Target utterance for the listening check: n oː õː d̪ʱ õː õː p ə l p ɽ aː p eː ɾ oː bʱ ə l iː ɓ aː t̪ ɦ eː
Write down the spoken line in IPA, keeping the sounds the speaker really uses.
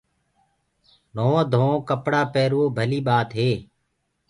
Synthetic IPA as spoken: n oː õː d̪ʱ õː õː k ə p ɽ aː p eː ɾ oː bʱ ə l iː ɓ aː t̪ ɦ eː